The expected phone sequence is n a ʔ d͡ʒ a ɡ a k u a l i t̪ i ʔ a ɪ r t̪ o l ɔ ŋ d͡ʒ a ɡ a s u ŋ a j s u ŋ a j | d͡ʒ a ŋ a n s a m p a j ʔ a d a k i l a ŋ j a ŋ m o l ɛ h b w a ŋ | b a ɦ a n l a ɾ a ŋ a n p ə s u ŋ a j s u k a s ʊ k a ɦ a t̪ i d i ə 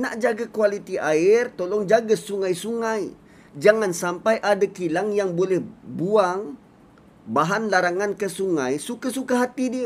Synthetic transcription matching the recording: n a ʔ d͡ʒ a ɡ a k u a l i t̪ i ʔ a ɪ r t̪ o l ɔ ŋ d͡ʒ a ɡ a s u ŋ a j s u ŋ a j | d͡ʒ a ŋ a n s a m p a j ʔ a d a k i l a ŋ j a ŋ b o l ɛ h b u a ŋ | b a ɦ a n l a ɾ a ŋ a n k ə s u ŋ a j s u k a s u k a ɦ a t̪ i d i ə